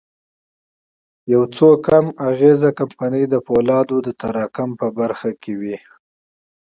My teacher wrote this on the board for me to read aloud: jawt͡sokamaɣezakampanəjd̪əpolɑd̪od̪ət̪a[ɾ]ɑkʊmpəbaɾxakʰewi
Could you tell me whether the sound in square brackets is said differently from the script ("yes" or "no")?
no